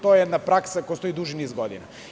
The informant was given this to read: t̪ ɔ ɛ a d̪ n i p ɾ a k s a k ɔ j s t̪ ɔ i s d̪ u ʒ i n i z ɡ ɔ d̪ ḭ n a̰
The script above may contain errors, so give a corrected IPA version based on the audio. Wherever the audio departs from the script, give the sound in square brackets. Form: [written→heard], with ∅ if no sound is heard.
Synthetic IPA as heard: t̪ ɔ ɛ [a→ɛ] d̪ n [i→a] p ɾ a k s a k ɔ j s t̪ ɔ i [s→∅] d̪ u ʒ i n i z ɡ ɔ d̪ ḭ n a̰